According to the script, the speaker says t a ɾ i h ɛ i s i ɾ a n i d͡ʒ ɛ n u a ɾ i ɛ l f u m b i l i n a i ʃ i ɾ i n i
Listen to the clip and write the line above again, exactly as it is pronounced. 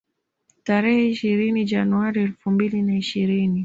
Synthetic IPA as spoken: t a ɾ ɛ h ɛ i ʃ i ɾ i n i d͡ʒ a n u a ɾ i ɛ l f u m b i l i n a i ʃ i ɾ i n i